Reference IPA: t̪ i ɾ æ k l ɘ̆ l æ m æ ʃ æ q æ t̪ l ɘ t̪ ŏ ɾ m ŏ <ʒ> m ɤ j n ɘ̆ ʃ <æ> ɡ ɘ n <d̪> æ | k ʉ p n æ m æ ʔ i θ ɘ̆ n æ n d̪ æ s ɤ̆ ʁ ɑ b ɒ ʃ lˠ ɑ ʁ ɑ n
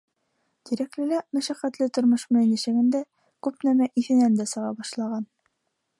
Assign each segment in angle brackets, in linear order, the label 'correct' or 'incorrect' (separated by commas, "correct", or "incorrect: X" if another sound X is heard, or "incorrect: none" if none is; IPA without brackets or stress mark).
incorrect: ʃ, correct, correct